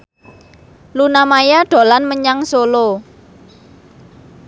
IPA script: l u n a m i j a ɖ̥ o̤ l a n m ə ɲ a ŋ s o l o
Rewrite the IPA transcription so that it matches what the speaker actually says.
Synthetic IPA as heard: l u n a m a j a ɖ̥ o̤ l a n m ə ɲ a ŋ s o l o

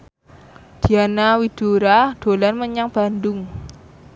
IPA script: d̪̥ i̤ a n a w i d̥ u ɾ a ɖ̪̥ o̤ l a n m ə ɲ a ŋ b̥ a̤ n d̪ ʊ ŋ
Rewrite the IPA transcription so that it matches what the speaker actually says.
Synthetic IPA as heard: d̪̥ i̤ a n a w i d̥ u ɾ a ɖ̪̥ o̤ l a n m ə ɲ a ŋ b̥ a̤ n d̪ ʊ ŋ

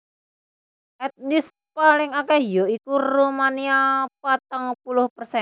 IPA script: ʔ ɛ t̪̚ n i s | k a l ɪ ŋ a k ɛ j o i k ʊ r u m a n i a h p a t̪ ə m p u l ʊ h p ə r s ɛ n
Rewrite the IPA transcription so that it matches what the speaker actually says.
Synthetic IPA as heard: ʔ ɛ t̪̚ n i s | p a l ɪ ŋ a k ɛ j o i k u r u m a n i a p a t̪ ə ŋ p u l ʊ h p ə r s ɛ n

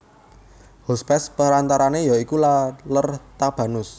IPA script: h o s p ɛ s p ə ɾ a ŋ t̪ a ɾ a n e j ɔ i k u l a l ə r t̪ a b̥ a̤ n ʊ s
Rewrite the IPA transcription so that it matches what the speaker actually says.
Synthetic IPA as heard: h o s p ɛ s p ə ɾ a n t̪ a ɾ a n e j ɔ i k u l a l ə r t̪ a b̥ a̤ n ʊ s

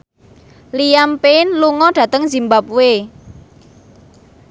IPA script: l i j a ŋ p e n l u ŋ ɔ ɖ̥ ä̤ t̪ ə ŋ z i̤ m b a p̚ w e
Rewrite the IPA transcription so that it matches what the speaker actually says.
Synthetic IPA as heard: l i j a m p e n l u ŋ ɔ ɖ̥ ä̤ t̪ ə ŋ z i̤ m b a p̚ w e

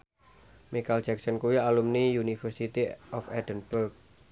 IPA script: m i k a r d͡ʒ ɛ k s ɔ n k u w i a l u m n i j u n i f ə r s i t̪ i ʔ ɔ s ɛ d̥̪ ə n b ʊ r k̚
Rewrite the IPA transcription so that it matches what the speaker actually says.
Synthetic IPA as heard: m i k a l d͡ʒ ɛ k s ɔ n k u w i a l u m n i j u n i f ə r s i t̪ i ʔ ɔ f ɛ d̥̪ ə n b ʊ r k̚

